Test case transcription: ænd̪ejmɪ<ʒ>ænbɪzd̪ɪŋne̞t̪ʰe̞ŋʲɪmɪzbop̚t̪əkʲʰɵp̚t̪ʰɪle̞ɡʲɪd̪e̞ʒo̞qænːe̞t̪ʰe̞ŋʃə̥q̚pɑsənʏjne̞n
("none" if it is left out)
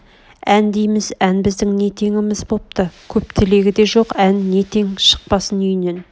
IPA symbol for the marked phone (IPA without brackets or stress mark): z